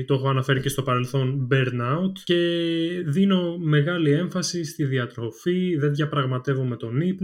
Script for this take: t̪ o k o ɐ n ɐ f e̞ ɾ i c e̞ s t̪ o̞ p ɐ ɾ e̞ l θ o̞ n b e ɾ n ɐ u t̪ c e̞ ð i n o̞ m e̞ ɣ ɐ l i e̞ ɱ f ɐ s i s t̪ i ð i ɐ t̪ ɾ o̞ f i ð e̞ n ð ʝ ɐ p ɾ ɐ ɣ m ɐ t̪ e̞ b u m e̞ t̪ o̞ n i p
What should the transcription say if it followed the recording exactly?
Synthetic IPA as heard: t̪ o x o ɐ n ɐ f e̞ ɾ i c e̞ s t̪ o̞ p ɐ ɾ e̞ l θ o̞ n b e ɾ n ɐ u t̪ c e̞ ð i n o̞ m e̞ ɣ ɐ l i e̞ ɱ f ɐ s i s t̪ i ð i ɐ t̪ ɾ o̞ f i ð e̞ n ð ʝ ɐ p ɾ ɐ ɣ m ɐ t̪ e̞ v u m e̞ t̪ o̞ n i p